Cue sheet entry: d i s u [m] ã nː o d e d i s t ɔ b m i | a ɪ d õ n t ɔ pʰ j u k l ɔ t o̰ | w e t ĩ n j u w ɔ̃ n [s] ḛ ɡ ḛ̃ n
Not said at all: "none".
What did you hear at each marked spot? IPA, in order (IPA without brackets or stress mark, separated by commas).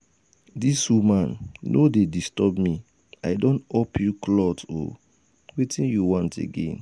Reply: m, t